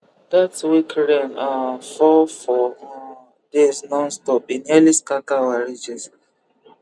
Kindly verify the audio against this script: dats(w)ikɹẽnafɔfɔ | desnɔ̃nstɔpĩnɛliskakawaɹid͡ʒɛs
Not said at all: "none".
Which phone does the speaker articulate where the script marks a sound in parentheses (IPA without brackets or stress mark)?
w